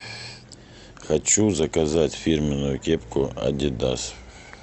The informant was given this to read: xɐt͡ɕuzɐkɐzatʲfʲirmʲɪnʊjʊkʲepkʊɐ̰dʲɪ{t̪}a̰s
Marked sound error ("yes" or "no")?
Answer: yes